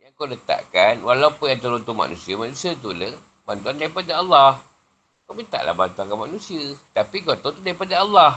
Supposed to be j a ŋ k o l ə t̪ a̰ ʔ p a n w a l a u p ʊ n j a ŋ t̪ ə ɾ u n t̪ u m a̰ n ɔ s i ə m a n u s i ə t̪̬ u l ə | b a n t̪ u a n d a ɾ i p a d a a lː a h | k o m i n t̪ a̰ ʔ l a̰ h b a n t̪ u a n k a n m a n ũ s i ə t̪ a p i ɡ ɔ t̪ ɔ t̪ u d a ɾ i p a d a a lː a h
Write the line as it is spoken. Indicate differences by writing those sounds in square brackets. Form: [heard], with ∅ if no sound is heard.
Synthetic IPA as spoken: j a ŋ k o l ə t̪ a̰ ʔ [k] a n w a l a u p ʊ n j a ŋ t̪ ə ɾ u n t̪ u m a̰ n [u] s i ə m a n u s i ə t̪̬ u l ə | b a n t̪ u a n d a ɾ i p a d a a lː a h | k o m i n t̪ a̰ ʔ l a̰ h b a n t̪ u a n k a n m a n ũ s i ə t̪ a p i ɡ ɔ t̪ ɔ t̪ u d a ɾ i p a d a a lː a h